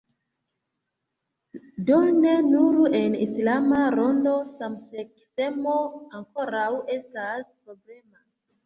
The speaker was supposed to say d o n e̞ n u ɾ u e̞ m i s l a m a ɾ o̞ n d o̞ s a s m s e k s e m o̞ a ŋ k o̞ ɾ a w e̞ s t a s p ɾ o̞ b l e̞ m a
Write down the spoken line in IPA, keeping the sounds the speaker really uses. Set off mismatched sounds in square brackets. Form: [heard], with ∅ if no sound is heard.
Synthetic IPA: d o n e̞ n u ɾ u e̞ [n] i s l a m a ɾ o̞ n d o̞ s a [∅] m s e k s e m o̞ a ŋ k o̞ ɾ a w e̞ s t a s p ɾ o̞ b l e̞ m a